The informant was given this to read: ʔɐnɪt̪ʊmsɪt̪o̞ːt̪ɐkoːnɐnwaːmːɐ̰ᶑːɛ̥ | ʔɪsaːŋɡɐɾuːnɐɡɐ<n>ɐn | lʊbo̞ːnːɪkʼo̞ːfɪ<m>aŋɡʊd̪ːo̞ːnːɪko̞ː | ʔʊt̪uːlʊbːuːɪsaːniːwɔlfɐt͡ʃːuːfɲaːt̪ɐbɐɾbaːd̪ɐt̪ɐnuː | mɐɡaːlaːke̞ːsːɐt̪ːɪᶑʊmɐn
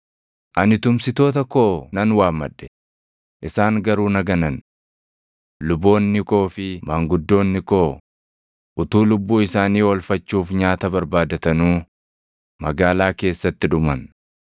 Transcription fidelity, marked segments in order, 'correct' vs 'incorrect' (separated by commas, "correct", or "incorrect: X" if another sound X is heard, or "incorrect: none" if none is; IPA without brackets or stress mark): correct, correct